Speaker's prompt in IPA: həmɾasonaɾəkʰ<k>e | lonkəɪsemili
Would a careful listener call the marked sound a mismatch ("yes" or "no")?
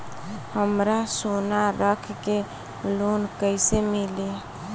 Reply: no